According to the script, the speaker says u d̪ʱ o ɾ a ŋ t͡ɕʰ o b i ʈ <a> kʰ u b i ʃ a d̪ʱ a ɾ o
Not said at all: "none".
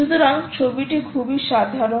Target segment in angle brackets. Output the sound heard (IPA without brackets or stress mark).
i